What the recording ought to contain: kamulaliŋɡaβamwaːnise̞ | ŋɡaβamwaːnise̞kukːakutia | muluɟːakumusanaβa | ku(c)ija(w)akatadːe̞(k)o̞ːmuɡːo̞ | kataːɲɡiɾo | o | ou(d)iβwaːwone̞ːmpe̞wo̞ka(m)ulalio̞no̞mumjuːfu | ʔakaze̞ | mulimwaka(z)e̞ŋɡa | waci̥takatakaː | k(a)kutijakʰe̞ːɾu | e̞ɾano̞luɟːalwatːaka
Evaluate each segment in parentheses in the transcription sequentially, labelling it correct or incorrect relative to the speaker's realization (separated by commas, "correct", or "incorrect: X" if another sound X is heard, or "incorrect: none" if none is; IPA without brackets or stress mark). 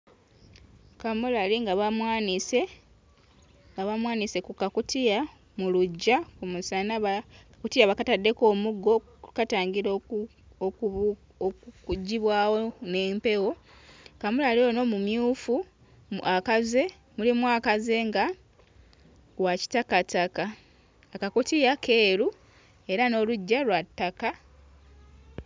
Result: incorrect: t, incorrect: β, correct, incorrect: ɟ, correct, correct, correct